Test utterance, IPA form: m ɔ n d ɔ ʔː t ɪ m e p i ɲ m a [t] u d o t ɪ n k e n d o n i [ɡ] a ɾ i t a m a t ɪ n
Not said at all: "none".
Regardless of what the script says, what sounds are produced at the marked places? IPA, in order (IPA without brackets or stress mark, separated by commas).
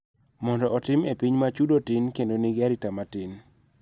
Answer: t͡ʃ, ɡ